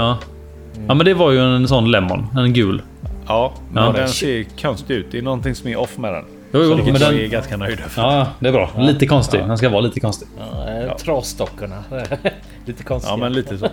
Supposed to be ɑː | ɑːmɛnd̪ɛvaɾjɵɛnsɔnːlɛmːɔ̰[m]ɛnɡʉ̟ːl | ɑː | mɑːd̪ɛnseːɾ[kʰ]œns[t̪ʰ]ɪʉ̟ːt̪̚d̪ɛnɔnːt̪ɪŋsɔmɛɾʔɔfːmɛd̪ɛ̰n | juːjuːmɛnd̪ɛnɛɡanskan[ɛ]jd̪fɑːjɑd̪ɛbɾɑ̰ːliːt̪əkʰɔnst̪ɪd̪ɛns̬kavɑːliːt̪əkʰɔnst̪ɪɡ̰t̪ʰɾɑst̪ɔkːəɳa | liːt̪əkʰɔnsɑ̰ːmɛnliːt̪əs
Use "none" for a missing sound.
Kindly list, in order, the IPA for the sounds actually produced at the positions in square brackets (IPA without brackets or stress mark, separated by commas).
n, kʰ, t̪, œ